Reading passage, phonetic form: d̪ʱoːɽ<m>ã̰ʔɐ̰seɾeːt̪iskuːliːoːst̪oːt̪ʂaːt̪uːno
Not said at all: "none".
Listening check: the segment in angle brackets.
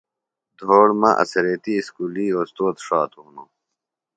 m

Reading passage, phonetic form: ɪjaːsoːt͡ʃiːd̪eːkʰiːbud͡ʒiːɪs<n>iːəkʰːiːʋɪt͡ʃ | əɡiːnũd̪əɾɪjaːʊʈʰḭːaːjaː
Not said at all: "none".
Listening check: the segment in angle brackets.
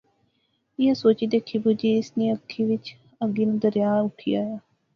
n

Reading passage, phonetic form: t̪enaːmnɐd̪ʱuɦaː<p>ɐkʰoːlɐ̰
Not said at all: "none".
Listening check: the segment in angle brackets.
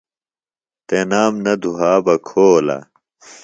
b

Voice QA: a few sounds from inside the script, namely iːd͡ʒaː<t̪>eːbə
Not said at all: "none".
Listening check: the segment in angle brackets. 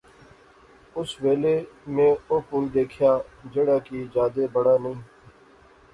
d̪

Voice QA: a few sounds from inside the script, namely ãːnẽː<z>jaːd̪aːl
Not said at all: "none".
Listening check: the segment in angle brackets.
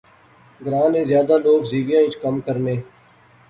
z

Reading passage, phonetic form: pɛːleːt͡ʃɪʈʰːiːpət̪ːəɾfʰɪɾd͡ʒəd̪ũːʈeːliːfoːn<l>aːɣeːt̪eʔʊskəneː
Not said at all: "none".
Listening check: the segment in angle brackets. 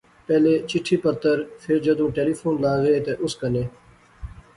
l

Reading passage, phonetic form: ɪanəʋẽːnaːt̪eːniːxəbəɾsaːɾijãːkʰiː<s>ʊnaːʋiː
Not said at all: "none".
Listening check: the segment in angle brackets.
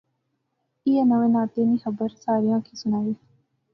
s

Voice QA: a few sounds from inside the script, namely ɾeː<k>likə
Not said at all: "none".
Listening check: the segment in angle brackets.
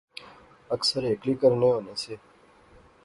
k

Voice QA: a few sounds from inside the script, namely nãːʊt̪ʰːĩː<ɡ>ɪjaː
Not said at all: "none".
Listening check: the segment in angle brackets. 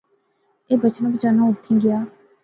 ɡ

